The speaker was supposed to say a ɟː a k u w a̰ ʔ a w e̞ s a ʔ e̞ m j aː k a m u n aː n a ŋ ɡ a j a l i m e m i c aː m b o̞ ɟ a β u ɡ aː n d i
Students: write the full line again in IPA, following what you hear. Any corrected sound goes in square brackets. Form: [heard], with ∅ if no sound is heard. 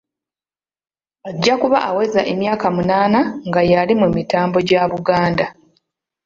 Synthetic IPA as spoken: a ɟː a k u [β] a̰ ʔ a w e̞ [z] a ʔ e̞ m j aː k a m u n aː n a ŋ ɡ a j a l i m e m i [t] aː m b o̞ ɟ a β u ɡ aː n d [a]